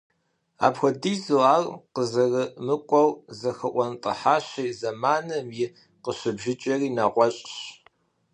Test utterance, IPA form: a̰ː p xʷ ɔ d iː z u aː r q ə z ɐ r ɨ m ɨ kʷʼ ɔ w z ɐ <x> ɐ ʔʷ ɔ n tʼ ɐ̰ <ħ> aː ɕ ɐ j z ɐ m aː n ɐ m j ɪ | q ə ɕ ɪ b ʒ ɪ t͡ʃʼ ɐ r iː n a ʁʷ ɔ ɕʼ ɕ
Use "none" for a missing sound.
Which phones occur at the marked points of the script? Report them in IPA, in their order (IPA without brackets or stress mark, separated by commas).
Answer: x, ħ